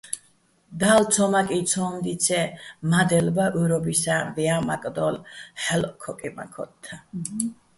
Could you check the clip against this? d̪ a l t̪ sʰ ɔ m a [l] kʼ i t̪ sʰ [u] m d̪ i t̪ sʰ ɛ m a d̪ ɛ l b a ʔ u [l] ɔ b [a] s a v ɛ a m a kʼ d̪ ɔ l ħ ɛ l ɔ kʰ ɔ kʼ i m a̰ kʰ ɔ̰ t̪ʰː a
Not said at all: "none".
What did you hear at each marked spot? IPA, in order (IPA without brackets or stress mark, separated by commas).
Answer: none, ɔ, ɾ, i